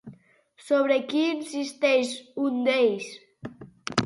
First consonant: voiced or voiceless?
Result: voiceless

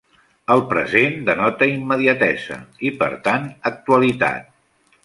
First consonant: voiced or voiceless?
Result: voiced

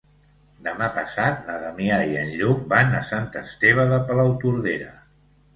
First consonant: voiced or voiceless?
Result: voiced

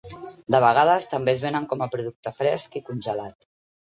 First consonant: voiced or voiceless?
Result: voiced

